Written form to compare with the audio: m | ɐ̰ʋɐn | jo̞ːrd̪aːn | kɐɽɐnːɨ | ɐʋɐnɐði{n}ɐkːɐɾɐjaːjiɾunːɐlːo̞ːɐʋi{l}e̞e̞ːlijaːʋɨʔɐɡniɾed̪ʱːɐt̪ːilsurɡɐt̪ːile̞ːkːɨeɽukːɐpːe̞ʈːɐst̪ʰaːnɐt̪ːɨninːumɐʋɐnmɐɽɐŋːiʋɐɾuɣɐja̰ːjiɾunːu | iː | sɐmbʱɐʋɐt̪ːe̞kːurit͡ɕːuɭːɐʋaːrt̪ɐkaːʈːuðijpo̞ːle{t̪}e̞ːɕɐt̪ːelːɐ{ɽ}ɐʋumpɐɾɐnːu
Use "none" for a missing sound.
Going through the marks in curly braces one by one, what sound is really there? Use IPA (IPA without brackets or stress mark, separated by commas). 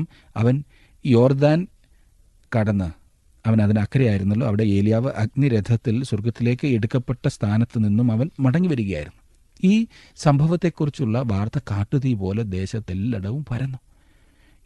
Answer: n, ɽ, d̪, ɽ